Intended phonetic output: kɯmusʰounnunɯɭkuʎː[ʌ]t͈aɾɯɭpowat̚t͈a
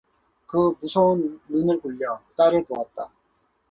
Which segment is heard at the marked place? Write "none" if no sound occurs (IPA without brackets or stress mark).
ʌ